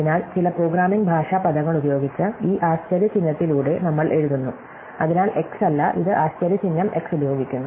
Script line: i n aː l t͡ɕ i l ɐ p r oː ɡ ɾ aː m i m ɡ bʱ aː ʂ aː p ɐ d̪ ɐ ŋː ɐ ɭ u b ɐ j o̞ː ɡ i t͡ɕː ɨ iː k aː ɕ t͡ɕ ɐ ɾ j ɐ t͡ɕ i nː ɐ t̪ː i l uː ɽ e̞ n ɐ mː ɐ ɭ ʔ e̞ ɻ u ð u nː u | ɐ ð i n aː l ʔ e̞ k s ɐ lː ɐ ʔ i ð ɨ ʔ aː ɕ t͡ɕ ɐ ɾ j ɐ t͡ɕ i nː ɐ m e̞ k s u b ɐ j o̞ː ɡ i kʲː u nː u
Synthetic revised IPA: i n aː l t͡ɕ i l ɐ p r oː ɡ ɾ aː m i ŋ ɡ bʱ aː ʂ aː p ɐ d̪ ɐ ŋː ɐ ɭ u b ɐ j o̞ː ɡ i t͡ɕː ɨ iː ʔ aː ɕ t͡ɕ ɐ ɾ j ɐ t͡ɕ i nː ɐ t̪ː i l uː ɽ e̞ n ɐ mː ɐ ɭ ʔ e̞ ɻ u ð u nː u | ɐ ð i n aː l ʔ e̞ k s ɐ lː ɐ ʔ i ð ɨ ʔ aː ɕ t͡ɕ ɐ ɾ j ɐ t͡ɕ i nː ɐ m e̞ k s u b ɐ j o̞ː ɡ i kʲː u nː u